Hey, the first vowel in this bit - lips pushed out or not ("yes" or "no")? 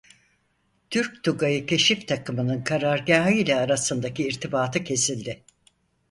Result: yes